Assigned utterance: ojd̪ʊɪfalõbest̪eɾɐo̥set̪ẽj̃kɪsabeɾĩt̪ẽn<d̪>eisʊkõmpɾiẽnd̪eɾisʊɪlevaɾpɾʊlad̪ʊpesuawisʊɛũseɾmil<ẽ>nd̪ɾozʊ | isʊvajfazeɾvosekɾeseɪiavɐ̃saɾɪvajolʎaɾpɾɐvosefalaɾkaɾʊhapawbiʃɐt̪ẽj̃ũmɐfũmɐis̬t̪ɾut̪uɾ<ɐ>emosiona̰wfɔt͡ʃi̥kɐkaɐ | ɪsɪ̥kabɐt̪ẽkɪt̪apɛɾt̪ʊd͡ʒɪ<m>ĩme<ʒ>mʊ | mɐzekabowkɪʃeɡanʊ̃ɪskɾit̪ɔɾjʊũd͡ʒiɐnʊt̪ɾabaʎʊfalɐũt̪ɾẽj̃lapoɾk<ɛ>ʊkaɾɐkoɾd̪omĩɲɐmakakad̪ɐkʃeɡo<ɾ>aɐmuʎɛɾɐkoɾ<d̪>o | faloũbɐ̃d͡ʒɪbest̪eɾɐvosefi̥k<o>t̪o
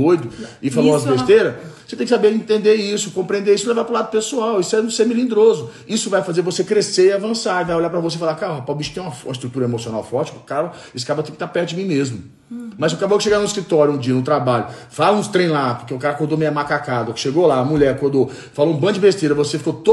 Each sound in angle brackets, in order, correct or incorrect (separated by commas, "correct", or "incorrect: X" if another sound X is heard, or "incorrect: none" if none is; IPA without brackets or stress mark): correct, incorrect: ĩ, correct, correct, incorrect: z, incorrect: e, incorrect: l, correct, correct